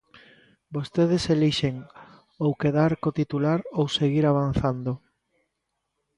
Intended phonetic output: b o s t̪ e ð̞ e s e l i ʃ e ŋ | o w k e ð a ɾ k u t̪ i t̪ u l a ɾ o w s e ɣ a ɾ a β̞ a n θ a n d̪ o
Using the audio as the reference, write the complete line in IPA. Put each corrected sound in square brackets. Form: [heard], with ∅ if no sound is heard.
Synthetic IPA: b o s t̪ e ð̞ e s e l i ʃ e ŋ | o w k e ð a ɾ k [o] t̪ i t̪ u l a ɾ o w s e ɣ [i] ɾ a β̞ a n θ a n d̪ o

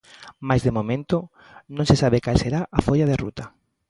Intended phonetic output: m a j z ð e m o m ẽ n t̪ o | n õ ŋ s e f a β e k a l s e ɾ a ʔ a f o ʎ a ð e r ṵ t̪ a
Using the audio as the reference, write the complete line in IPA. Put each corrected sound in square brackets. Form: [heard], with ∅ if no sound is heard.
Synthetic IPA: m a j z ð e m o m ẽ n t̪ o | n õ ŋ s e [s] a β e k a l s e ɾ a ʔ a f o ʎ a ð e r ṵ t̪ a

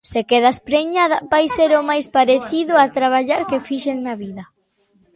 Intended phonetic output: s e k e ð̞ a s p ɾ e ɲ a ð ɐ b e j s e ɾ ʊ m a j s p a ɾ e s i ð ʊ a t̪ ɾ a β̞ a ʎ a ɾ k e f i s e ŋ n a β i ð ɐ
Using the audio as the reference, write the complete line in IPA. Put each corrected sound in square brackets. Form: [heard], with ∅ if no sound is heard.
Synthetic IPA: s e k e ð̞ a s p ɾ e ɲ a ð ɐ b [a] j s e ɾ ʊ m a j s p a ɾ e [θ] i ð ʊ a t̪ ɾ a β̞ a ʎ a ɾ k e f i [ʃ] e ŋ n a β i ð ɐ

